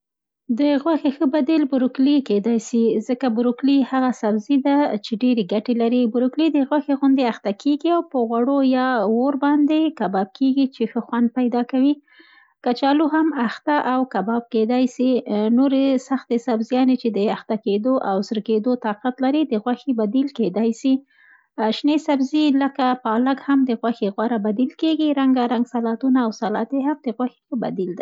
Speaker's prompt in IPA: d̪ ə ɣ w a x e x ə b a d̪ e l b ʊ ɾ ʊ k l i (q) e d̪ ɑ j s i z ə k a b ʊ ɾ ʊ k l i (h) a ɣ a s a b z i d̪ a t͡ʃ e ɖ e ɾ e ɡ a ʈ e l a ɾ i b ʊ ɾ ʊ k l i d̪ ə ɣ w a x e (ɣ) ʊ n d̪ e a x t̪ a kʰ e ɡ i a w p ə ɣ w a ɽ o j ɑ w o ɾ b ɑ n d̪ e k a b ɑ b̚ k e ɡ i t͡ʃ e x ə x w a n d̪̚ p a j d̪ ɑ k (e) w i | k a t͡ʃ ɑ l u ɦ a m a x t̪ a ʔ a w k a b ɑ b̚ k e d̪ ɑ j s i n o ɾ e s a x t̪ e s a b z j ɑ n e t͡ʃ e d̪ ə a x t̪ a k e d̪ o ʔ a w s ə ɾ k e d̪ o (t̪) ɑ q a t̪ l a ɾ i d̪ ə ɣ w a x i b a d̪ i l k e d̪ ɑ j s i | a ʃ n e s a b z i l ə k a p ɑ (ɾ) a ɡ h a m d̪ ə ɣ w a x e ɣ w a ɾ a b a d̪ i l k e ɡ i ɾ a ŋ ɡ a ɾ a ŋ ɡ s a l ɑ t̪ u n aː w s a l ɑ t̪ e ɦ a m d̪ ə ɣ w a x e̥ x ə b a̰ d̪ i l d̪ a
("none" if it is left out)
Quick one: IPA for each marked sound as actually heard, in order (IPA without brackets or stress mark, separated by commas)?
k, h, ɣ, a, t̪, l